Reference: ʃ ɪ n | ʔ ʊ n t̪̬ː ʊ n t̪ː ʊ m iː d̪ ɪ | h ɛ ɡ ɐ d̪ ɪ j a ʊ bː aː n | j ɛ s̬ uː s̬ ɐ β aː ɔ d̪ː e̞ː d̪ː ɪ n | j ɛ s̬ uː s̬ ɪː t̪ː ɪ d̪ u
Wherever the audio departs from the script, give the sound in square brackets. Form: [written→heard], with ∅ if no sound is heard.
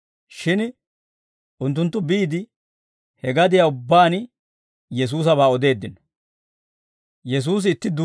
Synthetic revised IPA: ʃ ɪ n | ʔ ʊ n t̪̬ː ʊ n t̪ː ʊ [m→b] iː d̪ ɪ | h ɛ ɡ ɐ d̪ ɪ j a ʊ bː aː n | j ɛ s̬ uː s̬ ɐ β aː ɔ [d̪ː→d̪] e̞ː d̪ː ɪ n | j ɛ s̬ uː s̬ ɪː t̪ː ɪ d̪ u